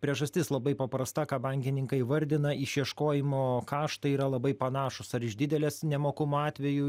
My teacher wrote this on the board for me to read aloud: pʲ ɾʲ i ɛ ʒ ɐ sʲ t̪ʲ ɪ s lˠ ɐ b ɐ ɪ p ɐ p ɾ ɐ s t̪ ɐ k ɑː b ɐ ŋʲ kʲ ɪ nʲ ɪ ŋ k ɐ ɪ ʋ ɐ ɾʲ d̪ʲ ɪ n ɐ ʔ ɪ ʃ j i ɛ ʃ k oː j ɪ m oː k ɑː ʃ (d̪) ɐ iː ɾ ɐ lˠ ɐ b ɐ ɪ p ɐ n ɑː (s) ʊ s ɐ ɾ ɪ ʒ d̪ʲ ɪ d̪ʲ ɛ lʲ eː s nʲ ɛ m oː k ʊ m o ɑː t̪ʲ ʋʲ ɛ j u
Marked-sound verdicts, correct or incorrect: incorrect: t̪, incorrect: ʃ

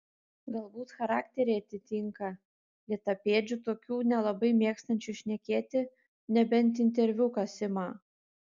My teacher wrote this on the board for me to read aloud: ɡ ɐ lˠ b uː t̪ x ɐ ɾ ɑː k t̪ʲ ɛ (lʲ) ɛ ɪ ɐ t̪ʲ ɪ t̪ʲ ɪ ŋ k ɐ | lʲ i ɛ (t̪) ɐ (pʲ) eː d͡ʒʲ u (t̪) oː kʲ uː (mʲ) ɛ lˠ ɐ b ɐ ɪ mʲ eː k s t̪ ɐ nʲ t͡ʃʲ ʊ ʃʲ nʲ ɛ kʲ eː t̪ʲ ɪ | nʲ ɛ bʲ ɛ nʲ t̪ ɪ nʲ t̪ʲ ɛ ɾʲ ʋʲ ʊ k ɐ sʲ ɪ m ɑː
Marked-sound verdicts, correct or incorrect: incorrect: ɾʲ, correct, correct, correct, incorrect: nʲ

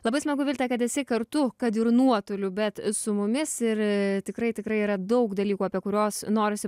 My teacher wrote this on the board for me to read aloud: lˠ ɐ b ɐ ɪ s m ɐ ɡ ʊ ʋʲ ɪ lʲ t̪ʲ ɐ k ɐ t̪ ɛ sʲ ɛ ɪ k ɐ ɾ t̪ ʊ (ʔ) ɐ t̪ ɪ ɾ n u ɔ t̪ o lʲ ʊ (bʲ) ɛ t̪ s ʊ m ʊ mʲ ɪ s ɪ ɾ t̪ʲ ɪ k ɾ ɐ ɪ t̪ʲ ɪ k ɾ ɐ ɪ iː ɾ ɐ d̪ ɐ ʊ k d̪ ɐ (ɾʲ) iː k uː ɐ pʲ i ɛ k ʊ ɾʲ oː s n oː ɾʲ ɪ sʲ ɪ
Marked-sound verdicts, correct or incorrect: incorrect: k, correct, incorrect: lʲ

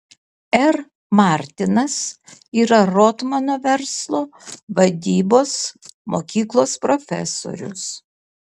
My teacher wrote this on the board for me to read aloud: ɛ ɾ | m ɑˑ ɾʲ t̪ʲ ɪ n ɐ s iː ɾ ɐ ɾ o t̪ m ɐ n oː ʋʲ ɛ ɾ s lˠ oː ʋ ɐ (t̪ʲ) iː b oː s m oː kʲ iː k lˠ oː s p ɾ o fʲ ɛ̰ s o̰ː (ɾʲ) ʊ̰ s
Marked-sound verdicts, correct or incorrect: incorrect: d̪ʲ, correct

